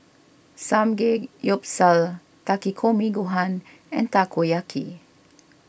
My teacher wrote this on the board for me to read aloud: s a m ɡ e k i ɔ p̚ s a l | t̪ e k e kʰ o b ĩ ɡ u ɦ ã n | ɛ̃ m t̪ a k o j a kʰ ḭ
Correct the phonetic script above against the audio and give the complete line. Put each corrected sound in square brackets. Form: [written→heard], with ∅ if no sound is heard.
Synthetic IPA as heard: s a m ɡ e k [i→j] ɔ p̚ s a l | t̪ [e→a] k [e→i] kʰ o [b→m] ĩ ɡ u ɦ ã n | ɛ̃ [m→n] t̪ a k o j a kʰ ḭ